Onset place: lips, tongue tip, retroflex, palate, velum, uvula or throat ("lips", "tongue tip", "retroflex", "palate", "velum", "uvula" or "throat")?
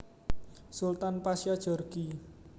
tongue tip